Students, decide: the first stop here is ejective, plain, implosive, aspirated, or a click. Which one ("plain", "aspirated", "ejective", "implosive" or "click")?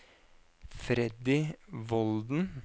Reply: plain